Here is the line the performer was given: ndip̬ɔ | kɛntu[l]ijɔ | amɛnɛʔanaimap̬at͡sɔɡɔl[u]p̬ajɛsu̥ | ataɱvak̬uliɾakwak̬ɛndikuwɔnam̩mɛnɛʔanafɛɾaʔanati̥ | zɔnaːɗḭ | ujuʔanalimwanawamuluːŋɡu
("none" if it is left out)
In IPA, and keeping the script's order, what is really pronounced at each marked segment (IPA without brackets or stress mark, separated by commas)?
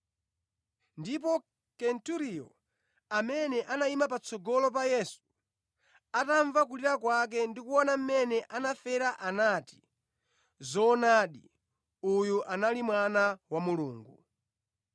ɾ, ɔ